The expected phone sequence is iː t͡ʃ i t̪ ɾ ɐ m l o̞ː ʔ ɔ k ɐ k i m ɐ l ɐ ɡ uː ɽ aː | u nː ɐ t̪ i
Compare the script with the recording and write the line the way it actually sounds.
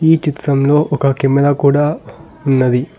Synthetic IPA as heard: iː t͡ʃ i t̪ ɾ ɐ m l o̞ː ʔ ɔ k ɐ k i m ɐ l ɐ k uː ɽ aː | u nː ɐ d̪ i